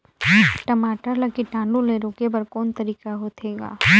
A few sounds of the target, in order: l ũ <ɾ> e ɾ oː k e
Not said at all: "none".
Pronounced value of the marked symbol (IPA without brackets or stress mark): l